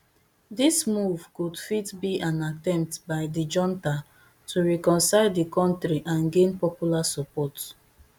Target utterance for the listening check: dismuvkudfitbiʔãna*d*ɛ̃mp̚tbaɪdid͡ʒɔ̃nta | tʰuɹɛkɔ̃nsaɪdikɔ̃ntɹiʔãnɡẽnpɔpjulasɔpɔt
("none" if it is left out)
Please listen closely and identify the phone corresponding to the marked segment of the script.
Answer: t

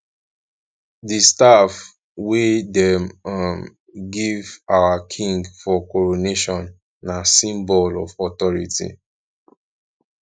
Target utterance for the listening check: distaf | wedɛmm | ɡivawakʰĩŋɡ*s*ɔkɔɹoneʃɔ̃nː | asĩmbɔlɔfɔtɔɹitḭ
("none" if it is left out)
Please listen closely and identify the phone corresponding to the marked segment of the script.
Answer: f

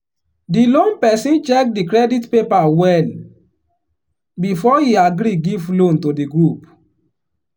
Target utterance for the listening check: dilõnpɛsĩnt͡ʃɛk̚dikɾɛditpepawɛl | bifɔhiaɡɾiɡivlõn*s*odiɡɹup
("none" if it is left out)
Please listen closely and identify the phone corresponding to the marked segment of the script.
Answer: t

